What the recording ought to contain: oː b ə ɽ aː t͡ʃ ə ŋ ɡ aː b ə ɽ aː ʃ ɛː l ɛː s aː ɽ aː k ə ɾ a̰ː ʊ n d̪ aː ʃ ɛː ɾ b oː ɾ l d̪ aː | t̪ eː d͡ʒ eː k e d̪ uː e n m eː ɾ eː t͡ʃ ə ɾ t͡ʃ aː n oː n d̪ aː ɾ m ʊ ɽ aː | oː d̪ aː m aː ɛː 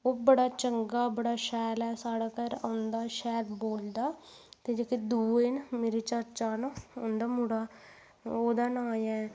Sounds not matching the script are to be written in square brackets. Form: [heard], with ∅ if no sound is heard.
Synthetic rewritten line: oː b ə ɽ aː t͡ʃ ə ŋ ɡ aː b ə ɽ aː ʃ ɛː l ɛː s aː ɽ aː k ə ɾ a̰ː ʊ n d̪ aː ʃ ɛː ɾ b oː [∅] l d̪ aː | t̪ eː d͡ʒ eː k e d̪ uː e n m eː ɾ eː t͡ʃ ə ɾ t͡ʃ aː n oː n d̪ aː [∅] m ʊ ɽ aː | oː d̪ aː [n] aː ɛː